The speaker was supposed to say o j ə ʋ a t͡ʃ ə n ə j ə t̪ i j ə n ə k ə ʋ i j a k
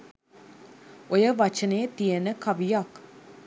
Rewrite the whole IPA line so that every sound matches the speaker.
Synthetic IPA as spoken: o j ə ʋ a t͡ʃ ə n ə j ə t̪ i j ə n ə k a ʋ i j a k